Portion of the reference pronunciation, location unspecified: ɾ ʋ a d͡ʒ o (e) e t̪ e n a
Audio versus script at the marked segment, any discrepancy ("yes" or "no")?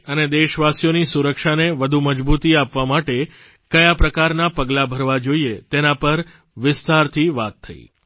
yes